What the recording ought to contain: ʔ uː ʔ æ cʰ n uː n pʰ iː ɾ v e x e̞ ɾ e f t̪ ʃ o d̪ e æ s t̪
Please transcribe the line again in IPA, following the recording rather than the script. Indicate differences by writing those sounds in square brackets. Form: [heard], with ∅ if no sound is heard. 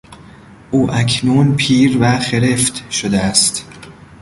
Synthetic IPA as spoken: ʔ uː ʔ æ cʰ n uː n pʰ iː ɾ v [æ] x e̞ ɾ e f t̪ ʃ o d̪ e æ s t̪